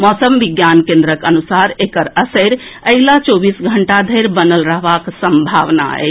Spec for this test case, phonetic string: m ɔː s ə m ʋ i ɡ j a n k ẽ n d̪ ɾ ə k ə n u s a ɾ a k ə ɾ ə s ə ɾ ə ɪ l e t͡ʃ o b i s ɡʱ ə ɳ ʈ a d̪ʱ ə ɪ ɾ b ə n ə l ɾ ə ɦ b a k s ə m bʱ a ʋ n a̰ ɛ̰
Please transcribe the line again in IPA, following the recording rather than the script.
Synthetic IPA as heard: m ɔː s ə m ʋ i ɡ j a n k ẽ n d̪ ɾ ə k ə n u s a ɾ e k ə ɾ ə s ə ɾ ə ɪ l a t͡ʃ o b i s ɡʱ ə ɳ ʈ a d̪ʱ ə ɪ ɾ b ə n ə l ɾ ə ɦ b a k s ə m bʱ a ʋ n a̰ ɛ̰